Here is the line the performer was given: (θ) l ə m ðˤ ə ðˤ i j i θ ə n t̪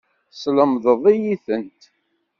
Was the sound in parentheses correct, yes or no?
no